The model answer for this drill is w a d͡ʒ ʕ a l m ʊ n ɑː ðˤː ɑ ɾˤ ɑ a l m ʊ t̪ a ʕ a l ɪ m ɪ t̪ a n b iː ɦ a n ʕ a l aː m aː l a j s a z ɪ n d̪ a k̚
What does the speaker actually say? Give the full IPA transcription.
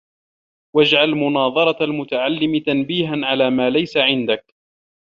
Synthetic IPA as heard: w a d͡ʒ ʕ a l m ʊ n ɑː ðˤ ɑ ɾˤ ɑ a l m ʊ t̪ a ʕ a lː ɪ m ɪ t̪ a n b iː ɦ a n ʕ a l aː m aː l a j s a ʕ ɪ n d̪ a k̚